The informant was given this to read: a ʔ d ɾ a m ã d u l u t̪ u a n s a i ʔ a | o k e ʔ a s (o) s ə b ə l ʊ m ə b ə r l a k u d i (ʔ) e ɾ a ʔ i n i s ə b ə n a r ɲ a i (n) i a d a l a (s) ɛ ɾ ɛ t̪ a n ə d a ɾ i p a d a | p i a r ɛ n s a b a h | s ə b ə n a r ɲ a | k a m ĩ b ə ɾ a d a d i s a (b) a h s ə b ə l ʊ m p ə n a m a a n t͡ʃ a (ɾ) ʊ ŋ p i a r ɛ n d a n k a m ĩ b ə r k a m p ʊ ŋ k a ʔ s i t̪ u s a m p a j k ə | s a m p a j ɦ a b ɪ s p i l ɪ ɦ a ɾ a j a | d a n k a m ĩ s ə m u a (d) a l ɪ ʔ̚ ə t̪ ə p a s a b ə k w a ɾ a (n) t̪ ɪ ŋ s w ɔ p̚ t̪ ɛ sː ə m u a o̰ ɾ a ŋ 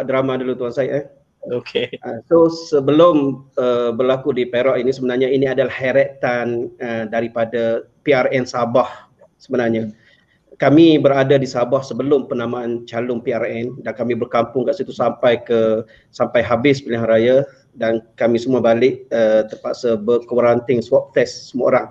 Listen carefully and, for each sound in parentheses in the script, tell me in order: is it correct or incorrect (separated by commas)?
correct, incorrect, correct, incorrect, correct, incorrect, incorrect, correct